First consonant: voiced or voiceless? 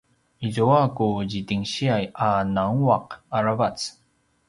voiced